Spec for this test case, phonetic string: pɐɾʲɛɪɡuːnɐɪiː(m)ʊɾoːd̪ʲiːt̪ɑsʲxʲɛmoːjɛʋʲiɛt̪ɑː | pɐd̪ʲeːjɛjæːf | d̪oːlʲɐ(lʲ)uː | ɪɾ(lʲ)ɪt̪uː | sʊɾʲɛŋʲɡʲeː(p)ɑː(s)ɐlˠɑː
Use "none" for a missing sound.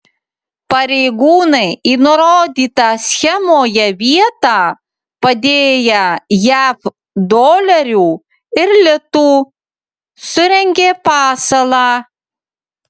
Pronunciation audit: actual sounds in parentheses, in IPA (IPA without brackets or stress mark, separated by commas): n, ɾʲ, lʲ, p, s